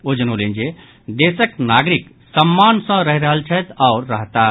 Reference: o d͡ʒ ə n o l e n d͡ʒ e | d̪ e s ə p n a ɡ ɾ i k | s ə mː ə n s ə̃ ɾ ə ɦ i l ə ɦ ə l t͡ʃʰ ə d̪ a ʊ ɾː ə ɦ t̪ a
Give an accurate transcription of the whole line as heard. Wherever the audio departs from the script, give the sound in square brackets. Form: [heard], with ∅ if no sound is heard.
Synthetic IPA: o d͡ʒ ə n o l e n d͡ʒ e | d̪ e s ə [k] n a ɡ ɾ i k | s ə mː [a] n s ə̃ ɾ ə ɦ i [ɾ] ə ɦ ə l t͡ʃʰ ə [t̪] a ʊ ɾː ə ɦ t̪ a